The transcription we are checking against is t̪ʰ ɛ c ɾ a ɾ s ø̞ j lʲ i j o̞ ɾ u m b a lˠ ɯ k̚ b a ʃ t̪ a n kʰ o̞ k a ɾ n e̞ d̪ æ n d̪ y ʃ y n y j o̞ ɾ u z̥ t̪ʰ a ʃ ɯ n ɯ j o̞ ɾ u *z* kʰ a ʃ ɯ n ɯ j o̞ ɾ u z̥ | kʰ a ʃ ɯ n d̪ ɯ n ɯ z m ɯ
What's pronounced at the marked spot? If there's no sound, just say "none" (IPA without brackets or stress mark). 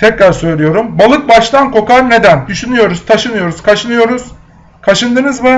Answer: z